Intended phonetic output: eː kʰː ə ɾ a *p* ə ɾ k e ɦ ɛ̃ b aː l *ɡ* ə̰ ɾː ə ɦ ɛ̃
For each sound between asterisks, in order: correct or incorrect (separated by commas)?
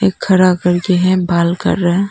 incorrect, incorrect